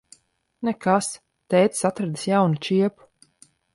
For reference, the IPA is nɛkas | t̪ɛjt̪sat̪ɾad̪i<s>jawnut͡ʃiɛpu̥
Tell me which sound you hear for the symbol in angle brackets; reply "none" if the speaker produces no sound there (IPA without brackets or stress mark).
s